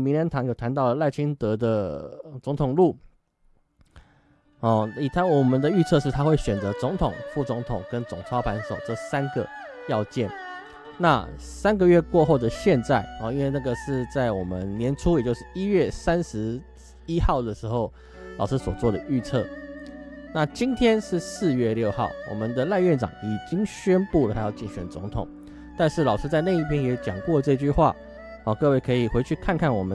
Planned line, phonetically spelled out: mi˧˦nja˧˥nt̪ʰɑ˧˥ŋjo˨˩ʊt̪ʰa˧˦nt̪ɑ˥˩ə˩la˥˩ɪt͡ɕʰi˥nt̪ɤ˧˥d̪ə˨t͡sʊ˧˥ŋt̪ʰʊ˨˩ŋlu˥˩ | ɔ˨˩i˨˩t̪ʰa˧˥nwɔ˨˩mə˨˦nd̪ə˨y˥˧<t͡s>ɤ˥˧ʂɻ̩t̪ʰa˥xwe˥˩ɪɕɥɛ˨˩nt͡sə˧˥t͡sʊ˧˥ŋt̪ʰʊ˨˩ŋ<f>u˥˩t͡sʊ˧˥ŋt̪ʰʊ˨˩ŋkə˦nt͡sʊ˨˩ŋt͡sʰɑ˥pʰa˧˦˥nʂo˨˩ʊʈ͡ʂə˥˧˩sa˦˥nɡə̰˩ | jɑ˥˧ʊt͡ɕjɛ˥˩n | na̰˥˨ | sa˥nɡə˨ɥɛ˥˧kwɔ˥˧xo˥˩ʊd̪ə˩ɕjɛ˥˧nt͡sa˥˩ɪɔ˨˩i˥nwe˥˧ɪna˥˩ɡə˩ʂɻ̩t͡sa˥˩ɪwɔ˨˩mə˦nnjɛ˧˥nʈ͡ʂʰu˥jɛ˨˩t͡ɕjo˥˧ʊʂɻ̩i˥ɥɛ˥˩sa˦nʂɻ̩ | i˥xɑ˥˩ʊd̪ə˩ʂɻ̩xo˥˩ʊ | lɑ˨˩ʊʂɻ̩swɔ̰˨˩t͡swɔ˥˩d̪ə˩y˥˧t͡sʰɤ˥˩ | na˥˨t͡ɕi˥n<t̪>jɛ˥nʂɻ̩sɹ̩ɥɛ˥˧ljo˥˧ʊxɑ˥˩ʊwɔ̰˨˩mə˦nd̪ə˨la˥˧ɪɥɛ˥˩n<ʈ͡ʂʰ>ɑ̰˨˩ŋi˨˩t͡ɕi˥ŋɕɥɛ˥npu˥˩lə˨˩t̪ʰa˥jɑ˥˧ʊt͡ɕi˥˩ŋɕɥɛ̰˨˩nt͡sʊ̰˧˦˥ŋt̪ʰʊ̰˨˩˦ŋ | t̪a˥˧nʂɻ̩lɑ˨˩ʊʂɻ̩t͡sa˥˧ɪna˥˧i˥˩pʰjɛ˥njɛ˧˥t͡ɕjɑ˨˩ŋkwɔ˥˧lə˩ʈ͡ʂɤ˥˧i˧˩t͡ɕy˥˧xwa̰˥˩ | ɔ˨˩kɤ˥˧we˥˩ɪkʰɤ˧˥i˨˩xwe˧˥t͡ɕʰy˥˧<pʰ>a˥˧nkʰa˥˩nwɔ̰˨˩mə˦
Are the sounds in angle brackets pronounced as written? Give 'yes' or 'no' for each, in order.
no, yes, no, no, no

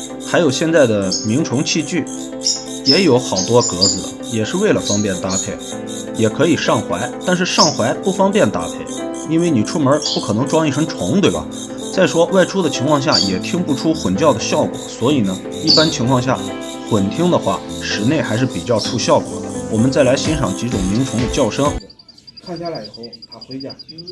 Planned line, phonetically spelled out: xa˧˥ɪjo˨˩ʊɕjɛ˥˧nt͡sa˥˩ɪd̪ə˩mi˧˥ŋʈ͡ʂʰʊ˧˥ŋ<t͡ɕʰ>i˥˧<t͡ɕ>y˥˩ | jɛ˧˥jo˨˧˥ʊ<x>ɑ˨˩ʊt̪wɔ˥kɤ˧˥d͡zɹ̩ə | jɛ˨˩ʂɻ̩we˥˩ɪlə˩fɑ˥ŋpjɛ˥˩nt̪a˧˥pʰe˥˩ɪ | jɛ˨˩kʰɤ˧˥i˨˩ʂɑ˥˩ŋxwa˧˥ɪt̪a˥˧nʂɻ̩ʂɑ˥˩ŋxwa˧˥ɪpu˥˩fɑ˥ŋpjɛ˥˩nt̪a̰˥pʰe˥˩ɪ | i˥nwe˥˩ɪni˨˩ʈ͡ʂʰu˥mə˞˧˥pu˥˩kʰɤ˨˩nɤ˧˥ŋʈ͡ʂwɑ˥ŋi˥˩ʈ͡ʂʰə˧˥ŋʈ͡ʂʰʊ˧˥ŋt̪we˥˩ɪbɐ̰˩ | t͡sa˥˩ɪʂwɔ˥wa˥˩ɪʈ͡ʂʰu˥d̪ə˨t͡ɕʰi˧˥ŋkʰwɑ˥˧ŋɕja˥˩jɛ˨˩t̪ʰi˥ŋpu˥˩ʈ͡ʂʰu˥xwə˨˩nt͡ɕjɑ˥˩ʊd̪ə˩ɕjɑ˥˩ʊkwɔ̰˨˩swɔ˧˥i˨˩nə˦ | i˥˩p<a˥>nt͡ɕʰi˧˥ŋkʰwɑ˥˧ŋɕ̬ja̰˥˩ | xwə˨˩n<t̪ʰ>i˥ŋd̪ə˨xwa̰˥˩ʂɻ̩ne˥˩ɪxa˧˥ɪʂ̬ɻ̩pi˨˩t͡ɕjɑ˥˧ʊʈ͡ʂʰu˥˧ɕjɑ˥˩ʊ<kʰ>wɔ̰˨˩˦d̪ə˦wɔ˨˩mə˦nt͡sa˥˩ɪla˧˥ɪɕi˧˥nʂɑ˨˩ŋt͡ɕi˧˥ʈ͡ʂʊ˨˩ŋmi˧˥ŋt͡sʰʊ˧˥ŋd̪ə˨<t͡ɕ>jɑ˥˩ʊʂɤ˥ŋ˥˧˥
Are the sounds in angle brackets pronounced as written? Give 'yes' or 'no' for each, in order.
yes, yes, yes, yes, yes, no, yes

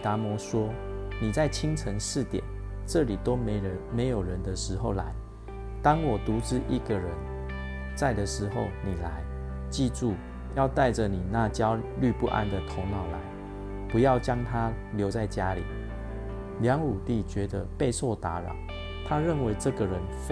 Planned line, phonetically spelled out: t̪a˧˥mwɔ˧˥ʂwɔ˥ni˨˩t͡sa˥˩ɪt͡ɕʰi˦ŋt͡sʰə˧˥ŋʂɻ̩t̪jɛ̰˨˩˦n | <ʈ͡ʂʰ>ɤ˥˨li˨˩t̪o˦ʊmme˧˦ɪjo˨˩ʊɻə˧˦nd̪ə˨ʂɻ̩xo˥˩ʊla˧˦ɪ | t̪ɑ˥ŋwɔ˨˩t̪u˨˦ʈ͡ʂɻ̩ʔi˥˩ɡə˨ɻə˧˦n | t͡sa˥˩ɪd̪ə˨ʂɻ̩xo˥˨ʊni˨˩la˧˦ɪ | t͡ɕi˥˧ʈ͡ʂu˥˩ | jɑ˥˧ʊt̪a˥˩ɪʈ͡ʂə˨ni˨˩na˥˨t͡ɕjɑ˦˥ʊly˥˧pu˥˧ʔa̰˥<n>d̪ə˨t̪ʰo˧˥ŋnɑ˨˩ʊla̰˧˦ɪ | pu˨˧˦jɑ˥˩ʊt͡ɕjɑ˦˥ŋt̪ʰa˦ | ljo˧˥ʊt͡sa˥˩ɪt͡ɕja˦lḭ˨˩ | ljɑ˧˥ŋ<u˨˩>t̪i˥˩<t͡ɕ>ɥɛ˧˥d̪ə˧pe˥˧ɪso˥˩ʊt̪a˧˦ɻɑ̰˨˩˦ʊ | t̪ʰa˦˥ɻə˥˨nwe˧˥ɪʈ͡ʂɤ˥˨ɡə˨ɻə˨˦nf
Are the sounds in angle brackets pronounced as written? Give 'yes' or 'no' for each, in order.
no, yes, yes, yes

